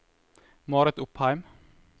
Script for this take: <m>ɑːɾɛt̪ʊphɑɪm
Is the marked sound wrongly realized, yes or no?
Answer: no